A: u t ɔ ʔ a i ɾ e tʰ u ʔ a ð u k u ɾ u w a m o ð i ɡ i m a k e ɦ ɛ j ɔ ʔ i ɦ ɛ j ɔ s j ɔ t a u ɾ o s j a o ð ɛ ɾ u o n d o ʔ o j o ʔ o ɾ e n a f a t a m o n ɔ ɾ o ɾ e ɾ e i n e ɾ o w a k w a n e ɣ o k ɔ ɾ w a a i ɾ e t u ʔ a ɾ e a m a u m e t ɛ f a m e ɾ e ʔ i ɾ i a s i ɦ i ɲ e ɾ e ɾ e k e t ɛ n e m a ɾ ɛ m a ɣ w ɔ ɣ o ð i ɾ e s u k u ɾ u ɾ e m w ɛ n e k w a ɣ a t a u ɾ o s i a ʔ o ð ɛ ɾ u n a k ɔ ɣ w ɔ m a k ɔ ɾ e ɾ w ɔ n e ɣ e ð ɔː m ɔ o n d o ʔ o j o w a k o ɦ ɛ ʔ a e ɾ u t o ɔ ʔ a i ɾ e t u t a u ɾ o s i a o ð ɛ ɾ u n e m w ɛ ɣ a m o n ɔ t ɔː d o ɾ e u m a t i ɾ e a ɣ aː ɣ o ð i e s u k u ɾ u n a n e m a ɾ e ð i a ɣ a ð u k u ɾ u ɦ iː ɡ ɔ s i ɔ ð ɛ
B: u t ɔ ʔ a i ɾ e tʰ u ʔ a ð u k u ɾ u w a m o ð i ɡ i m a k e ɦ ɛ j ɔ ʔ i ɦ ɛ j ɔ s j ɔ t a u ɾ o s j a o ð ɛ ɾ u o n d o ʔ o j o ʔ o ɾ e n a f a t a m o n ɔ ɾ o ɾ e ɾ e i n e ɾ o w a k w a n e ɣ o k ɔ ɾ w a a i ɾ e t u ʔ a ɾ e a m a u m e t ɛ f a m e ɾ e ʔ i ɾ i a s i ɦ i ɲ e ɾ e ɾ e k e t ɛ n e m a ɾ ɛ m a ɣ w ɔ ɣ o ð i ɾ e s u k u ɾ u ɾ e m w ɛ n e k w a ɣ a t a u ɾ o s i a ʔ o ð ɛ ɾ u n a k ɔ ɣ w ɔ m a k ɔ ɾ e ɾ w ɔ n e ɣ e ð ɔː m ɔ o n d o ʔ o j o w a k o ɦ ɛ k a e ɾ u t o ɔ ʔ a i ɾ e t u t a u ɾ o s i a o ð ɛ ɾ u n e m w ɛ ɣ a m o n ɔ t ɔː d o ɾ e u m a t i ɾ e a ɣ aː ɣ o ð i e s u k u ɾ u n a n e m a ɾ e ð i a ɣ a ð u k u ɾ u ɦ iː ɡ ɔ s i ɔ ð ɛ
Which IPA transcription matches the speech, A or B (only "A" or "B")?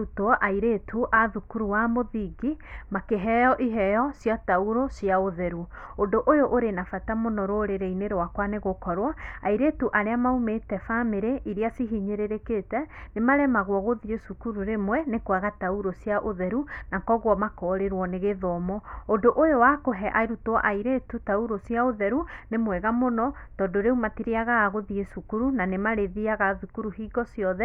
A